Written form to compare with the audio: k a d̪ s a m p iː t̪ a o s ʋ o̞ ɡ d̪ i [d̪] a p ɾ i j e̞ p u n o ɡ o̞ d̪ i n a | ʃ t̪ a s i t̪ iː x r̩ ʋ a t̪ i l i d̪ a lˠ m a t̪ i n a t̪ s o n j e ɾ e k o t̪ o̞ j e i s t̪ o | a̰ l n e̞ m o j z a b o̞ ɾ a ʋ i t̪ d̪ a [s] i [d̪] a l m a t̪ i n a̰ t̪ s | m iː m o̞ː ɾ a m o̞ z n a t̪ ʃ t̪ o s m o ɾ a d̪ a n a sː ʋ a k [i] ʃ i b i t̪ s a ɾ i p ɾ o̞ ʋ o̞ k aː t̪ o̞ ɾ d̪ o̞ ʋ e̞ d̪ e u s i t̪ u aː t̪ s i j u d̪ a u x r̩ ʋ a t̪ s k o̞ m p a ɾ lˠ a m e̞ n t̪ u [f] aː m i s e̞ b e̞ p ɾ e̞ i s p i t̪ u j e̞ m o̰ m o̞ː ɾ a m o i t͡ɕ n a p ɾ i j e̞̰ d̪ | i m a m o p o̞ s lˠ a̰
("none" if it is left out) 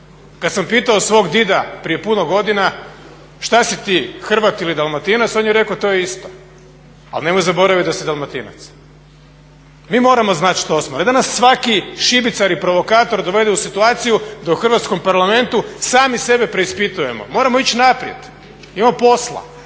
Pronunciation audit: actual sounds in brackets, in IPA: d̪, s, d̪, i, s

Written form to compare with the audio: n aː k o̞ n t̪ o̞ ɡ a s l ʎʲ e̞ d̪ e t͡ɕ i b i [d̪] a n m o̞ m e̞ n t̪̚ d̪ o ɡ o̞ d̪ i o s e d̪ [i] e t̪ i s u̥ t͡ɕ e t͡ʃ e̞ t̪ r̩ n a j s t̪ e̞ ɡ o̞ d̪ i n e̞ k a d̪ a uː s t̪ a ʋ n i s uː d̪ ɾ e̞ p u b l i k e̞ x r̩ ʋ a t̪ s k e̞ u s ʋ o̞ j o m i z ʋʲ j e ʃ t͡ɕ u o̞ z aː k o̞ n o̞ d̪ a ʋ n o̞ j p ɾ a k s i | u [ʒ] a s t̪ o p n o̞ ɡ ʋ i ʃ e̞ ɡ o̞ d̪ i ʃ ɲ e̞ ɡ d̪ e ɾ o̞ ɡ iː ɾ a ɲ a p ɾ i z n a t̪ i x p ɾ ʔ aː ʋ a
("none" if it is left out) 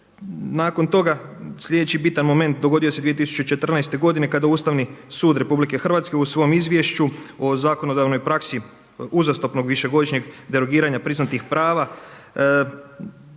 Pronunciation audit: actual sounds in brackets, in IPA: t̪, i, z

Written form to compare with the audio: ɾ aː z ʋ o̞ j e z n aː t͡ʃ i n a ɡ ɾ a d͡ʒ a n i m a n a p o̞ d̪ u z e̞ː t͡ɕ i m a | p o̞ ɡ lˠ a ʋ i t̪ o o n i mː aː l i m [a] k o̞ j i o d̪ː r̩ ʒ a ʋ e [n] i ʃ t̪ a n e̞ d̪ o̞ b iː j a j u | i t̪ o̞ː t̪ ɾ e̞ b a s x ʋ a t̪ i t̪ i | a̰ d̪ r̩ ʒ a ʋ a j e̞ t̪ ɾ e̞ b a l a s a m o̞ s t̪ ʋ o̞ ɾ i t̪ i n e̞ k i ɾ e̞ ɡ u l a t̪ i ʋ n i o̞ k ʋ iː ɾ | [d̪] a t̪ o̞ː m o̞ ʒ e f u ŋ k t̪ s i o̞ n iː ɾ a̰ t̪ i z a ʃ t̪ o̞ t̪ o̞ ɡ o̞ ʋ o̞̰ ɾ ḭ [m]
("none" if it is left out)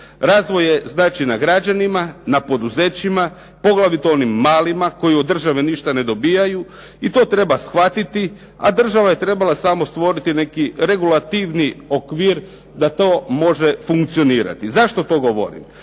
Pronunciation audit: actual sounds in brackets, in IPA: a, n, d̪, m

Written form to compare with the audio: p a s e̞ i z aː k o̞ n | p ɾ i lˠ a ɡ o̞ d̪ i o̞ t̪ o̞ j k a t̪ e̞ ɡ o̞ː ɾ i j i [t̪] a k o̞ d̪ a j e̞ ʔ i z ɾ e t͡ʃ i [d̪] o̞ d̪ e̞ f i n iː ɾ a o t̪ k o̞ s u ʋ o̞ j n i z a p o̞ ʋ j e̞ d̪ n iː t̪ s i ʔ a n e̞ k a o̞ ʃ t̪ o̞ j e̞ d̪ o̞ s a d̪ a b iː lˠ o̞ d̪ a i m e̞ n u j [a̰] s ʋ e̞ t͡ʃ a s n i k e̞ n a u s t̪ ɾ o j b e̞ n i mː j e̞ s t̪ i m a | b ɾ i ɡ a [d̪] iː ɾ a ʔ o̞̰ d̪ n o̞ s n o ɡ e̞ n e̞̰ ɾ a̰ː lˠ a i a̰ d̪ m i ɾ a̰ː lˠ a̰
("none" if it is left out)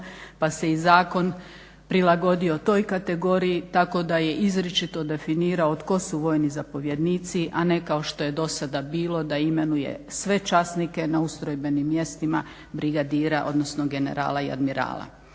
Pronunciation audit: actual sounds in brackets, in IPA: t̪, t̪, ḛ, d̪

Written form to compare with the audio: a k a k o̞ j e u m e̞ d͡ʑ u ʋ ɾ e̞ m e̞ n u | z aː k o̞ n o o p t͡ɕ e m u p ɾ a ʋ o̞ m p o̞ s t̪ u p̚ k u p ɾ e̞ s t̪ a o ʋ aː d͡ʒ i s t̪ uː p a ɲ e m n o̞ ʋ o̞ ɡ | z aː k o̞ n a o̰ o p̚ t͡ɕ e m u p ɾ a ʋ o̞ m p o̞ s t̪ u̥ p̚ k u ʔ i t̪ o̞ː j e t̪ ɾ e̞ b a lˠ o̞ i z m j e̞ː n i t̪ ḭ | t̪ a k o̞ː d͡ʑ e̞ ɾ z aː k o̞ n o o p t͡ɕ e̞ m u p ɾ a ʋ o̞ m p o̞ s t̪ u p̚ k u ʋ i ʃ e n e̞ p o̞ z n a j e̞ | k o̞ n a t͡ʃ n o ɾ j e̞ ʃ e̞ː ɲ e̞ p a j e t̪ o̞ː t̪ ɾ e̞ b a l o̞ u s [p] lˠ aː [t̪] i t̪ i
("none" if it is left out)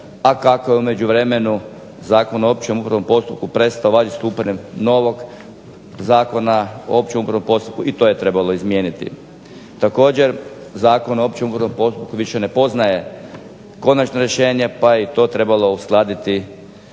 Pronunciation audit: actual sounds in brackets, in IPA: k, d̪

